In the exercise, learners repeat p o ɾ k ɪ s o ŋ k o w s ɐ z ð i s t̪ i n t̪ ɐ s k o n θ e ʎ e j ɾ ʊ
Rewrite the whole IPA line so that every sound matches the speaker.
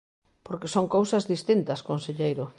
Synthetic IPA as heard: p o ɾ k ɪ s o ŋ k o w s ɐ z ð i s t̪ i n t̪ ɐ s k o n s e ʎ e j ɾ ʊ